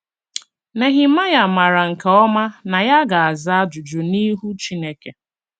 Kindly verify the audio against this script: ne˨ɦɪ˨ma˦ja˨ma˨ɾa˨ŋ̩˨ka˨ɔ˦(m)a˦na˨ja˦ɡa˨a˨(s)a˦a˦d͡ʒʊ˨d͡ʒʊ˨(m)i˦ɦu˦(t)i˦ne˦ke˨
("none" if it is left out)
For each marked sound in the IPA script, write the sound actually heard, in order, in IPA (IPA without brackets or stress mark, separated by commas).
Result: m, z, n, t͡ʃ